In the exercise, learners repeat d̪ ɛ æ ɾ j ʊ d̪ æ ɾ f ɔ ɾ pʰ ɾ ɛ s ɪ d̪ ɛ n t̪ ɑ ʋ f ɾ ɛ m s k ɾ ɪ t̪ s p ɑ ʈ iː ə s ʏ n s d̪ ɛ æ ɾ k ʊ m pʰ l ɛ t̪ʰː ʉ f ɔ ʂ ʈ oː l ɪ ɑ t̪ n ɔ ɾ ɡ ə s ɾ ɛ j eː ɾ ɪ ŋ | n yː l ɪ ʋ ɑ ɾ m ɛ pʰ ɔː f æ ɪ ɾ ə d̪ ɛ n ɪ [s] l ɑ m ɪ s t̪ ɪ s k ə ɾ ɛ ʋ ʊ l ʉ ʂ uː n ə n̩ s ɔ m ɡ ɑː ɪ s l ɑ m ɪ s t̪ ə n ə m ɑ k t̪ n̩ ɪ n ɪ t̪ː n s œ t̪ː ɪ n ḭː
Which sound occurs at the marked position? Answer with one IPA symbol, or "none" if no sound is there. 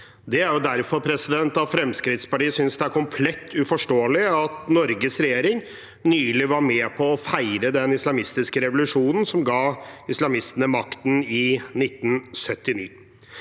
s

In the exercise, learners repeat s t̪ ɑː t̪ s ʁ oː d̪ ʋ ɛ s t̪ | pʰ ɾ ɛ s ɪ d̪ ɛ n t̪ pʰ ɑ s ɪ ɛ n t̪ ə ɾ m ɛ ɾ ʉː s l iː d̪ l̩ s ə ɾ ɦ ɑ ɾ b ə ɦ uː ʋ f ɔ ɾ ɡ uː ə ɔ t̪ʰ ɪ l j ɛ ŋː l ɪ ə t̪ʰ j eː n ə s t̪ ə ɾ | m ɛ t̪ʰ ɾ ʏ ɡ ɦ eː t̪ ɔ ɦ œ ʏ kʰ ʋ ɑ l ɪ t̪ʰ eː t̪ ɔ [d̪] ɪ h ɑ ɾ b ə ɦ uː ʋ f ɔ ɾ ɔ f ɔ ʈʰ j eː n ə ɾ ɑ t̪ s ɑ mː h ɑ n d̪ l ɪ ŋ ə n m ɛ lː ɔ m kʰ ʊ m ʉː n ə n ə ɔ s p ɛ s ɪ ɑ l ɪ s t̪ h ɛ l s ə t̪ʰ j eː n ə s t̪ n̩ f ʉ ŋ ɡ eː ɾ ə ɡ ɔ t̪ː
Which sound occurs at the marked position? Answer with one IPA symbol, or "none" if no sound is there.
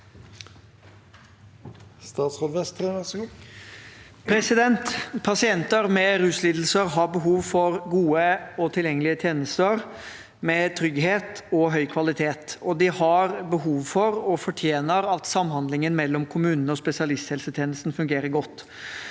d̪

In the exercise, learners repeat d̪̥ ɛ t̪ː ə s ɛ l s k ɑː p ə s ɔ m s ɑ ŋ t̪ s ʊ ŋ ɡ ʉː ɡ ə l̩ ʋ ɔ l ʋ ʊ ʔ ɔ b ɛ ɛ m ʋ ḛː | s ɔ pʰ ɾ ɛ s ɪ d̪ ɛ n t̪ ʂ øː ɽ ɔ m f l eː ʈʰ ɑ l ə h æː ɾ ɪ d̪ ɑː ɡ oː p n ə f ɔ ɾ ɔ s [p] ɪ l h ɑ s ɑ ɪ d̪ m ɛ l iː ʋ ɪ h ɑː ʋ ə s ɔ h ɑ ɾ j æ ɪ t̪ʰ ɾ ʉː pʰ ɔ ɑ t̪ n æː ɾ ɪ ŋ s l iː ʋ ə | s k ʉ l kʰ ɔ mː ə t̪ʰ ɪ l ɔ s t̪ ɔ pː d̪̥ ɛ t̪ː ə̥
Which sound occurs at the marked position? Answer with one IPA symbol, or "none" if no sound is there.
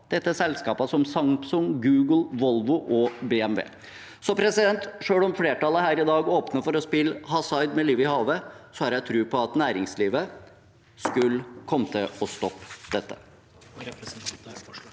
p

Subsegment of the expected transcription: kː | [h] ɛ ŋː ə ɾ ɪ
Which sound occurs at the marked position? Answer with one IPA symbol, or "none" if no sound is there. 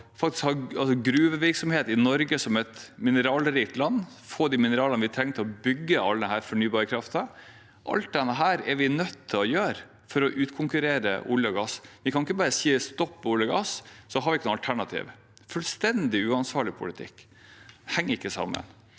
h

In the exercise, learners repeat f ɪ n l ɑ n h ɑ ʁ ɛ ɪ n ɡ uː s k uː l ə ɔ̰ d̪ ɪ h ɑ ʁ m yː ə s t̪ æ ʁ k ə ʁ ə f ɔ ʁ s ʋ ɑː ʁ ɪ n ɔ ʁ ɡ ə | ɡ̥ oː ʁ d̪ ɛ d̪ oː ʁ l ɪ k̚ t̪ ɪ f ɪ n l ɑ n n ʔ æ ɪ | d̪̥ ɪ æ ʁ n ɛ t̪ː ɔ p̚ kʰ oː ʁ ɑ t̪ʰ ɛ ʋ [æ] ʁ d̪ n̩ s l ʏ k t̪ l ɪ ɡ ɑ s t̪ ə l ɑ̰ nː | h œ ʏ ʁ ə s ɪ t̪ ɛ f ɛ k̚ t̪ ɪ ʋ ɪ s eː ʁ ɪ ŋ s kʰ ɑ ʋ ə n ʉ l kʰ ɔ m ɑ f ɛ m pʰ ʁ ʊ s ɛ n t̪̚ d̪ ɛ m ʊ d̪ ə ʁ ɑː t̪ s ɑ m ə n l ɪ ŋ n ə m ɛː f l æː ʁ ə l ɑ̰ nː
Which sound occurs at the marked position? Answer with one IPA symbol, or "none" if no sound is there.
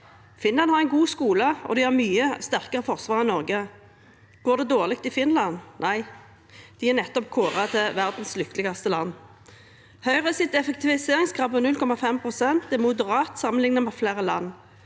æ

